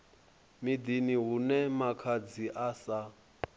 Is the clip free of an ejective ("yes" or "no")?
yes